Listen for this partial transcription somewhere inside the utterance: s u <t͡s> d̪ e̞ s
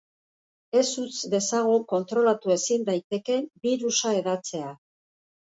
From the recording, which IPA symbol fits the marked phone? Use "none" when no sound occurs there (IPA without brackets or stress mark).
t͡s